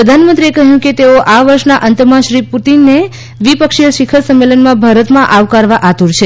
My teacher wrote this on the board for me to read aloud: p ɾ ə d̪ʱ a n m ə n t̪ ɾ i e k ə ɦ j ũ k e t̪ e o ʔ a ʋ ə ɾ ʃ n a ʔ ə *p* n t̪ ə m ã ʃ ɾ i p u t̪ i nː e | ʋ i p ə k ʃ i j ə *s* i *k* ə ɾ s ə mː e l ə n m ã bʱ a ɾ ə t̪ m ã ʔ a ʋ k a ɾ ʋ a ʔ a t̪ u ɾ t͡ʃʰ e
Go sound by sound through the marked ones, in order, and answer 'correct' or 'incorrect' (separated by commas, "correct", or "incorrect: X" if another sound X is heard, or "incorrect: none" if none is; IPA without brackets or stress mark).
incorrect: none, incorrect: ʃ, incorrect: kʰ